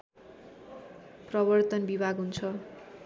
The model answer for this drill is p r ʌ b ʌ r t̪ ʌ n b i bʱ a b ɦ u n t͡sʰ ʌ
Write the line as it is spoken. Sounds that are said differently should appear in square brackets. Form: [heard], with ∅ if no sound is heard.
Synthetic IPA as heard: p r ʌ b ʌ r t̪ ʌ n b i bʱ a [ɡ] ɦ u n t͡sʰ ʌ